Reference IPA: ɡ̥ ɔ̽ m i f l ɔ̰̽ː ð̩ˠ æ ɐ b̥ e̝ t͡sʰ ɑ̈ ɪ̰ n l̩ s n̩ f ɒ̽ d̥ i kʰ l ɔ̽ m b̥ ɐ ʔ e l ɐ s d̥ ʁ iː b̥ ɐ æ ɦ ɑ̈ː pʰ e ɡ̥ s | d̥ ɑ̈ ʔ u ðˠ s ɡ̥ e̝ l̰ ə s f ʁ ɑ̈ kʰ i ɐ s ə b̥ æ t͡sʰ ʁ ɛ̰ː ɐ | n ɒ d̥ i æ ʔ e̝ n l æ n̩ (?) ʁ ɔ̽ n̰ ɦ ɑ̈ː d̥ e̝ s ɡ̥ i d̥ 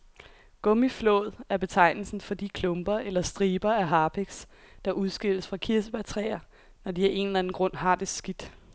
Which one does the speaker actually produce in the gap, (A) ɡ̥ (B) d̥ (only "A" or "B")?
A